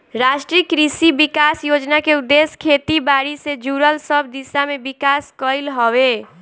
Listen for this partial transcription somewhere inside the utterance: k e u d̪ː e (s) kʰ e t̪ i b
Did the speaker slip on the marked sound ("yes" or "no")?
no